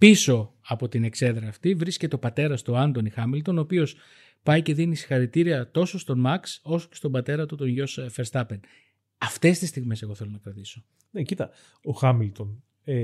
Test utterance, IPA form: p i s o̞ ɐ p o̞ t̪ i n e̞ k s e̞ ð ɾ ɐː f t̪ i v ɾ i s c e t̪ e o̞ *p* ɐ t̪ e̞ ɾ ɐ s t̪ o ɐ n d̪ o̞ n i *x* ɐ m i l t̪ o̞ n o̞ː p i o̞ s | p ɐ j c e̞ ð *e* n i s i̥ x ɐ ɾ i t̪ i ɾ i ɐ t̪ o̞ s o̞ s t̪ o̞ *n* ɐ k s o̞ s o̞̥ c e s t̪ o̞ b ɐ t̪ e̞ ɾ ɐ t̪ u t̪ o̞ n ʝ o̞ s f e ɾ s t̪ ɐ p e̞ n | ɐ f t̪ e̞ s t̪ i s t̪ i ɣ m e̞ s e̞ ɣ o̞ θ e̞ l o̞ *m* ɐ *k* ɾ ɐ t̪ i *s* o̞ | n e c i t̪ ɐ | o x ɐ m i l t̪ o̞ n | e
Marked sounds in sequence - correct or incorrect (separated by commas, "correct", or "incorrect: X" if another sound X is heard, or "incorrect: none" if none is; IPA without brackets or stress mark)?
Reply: correct, correct, incorrect: i, incorrect: m, incorrect: n, correct, correct